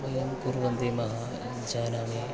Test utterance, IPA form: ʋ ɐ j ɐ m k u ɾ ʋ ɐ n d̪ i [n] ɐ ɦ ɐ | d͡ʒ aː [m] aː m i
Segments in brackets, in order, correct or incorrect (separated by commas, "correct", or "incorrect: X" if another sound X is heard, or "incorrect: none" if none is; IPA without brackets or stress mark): incorrect: m, incorrect: n